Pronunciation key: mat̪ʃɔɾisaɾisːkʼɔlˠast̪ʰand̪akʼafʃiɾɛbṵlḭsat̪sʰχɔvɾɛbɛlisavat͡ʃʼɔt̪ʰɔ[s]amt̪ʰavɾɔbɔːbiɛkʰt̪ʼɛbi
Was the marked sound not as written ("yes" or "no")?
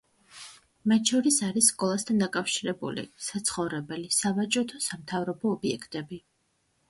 no